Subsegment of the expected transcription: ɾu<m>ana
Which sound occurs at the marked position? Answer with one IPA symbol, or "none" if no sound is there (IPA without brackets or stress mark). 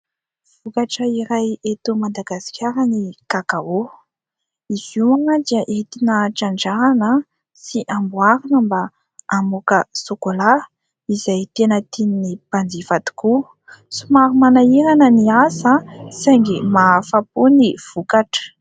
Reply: m